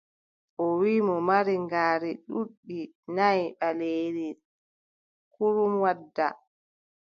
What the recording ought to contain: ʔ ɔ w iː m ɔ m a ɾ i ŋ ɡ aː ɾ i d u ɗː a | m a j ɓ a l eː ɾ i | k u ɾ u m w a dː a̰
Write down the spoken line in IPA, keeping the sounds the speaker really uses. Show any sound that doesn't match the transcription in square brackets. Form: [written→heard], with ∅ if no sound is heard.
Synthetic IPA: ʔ ɔ w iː m ɔ m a ɾ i ŋ ɡ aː ɾ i [d→ɗ] u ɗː [a→i] | [m→n] a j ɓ a l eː ɾ i | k u ɾ u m w a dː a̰